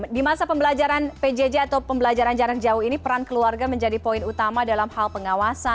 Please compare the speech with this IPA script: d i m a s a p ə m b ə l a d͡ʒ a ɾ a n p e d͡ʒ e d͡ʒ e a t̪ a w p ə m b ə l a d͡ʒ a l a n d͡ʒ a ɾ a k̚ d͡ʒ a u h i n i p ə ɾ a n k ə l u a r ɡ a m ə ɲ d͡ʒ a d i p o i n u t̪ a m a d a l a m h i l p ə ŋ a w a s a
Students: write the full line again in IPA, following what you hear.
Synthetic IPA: d i m a s a p ə m b ə l a d͡ʒ a ɾ a n p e d͡ʒ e d͡ʒ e a t̪ a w p ə m b ə l a d͡ʒ a ɾ a n d͡ʒ a ɾ a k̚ d͡ʒ a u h i n i p ə ɾ a n k ə l u a r ɡ a m ə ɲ d͡ʒ a d i p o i n u t̪ a m a d a l a m h a l p ə ŋ a w a s a